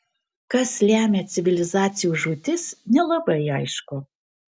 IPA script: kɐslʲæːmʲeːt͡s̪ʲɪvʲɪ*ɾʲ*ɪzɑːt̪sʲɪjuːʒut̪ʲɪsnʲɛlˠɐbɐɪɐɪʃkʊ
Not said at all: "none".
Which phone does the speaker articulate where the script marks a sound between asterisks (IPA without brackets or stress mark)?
lʲ